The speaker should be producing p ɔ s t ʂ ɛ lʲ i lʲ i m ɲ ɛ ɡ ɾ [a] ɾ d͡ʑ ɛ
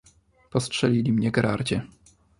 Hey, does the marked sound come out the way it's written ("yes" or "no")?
yes